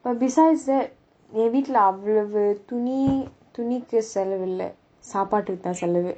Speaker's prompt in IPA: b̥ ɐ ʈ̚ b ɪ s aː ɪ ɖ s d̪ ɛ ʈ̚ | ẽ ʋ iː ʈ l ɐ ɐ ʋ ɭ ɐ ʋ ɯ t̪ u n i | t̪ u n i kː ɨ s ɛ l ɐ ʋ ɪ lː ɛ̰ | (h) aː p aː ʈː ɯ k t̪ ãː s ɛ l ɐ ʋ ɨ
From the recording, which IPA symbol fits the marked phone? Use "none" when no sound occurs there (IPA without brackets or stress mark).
s